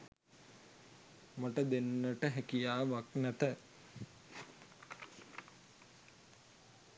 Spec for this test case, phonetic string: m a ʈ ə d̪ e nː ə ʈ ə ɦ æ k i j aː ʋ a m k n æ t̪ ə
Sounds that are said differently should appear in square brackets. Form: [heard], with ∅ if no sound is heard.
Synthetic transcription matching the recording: m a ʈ ə d̪ e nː ə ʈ ə ɦ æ k i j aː ʋ a [∅] k n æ t̪ ə